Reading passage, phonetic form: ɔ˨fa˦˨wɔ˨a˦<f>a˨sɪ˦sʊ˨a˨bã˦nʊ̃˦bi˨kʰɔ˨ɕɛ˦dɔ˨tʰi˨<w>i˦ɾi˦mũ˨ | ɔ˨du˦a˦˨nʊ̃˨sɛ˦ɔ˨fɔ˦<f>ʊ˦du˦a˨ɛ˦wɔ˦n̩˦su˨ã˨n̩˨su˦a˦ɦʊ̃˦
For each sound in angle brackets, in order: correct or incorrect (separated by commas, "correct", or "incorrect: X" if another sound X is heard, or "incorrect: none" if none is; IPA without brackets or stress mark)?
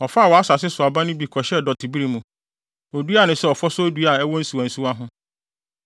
incorrect: s, incorrect: b, incorrect: s